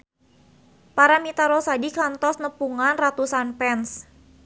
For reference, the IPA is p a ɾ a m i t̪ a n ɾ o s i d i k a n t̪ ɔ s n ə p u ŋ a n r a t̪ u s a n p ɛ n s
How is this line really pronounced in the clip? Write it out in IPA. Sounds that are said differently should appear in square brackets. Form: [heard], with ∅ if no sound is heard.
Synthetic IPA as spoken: p a ɾ a m i t̪ a [∅] ɾ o s [a] d i k a n t̪ ɔ s n ə p u ŋ a n r a t̪ u s a n p ɛ n s